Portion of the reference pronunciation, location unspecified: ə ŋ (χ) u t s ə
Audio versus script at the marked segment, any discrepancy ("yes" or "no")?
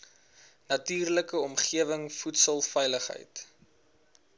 yes